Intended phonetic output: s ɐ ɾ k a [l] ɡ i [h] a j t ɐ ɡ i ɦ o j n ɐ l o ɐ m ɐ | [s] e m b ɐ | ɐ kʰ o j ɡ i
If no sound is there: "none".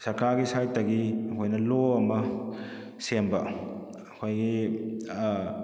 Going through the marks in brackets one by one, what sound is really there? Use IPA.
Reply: ɾ, s, s

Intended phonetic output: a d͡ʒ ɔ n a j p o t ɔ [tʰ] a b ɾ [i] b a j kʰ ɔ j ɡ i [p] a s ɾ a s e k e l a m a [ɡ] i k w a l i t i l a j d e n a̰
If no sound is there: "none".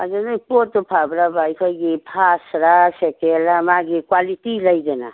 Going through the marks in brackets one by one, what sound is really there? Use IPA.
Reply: pʰ, a, pʰ, ɡ

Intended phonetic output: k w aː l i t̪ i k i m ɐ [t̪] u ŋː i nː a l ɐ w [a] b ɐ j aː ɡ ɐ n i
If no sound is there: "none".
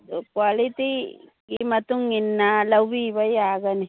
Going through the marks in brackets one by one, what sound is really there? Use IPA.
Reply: t̪, i

